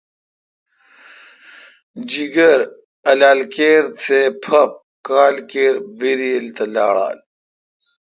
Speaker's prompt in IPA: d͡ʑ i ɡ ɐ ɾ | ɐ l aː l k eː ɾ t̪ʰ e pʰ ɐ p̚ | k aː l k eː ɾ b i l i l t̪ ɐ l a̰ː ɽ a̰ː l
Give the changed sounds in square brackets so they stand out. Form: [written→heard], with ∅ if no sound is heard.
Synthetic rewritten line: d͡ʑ i ɡ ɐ ɾ | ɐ l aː l k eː ɾ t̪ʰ e pʰ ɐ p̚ | k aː l k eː ɾ b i [l→ɾ] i l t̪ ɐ l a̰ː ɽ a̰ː l

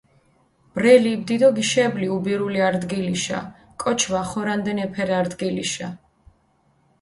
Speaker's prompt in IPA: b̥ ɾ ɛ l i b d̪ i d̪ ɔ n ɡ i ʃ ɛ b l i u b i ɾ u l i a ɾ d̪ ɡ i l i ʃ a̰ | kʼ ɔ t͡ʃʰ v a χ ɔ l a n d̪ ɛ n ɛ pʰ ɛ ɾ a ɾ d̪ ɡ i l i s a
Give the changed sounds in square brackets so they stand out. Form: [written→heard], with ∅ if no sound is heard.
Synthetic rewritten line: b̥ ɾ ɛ l i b d̪ i d̪ ɔ [n→∅] ɡ i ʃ ɛ b l i u b i ɾ u l i a ɾ d̪ ɡ i l i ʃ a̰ | kʼ ɔ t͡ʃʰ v a χ ɔ [l→ɾ] a n d̪ ɛ n ɛ pʰ ɛ ɾ a ɾ d̪ ɡ i l i [s→ʃ] a

